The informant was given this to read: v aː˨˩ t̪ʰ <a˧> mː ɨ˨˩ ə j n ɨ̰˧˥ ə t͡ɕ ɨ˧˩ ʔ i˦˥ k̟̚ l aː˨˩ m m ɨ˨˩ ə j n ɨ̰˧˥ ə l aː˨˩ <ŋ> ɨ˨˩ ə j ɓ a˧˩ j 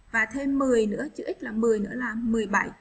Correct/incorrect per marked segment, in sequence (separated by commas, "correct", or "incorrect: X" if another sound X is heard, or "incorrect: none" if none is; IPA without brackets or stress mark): incorrect: e˧, incorrect: m